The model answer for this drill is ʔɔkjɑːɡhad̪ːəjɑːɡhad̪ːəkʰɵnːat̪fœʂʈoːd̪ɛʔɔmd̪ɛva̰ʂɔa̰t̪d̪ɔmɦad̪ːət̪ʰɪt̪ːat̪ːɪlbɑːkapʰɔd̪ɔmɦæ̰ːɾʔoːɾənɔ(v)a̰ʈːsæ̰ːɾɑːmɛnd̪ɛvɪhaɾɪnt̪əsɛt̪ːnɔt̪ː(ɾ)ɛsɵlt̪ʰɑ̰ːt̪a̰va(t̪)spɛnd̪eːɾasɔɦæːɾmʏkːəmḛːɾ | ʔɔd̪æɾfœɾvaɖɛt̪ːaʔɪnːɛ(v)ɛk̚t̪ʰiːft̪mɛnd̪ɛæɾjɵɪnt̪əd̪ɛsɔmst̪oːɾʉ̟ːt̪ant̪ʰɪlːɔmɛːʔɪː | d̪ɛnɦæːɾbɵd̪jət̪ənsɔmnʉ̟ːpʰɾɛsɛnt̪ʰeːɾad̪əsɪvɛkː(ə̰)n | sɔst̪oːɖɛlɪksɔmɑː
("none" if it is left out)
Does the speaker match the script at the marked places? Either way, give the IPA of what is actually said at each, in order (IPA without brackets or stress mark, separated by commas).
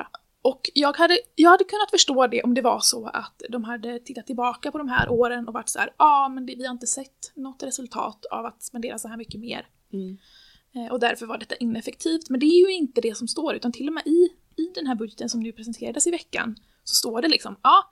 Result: v, ɾ, t̪, f, a̰